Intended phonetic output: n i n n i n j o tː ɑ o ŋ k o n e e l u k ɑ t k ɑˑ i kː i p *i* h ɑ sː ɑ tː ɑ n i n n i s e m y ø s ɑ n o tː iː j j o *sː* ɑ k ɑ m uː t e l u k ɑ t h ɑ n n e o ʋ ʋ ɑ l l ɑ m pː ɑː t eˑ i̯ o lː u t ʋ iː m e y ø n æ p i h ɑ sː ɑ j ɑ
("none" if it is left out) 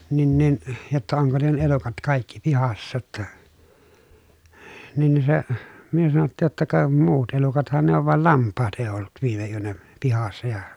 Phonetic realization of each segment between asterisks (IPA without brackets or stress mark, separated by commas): i, tː